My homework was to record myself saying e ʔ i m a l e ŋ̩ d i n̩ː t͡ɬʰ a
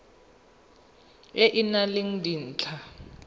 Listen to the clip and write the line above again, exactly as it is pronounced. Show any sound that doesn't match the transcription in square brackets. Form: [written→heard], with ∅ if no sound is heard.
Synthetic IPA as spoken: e ʔ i [m→n] a l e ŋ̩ d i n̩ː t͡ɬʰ a